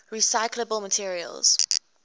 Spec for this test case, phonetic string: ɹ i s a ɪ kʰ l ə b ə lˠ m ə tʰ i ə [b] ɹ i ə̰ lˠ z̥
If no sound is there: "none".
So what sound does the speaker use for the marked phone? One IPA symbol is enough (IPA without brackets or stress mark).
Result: none